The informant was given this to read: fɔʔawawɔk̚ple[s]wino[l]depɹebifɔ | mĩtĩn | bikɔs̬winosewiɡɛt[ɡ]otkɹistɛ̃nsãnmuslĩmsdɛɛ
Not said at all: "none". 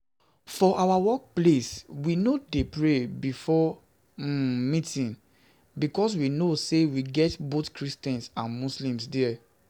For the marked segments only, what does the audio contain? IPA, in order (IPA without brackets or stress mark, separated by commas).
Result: s, none, b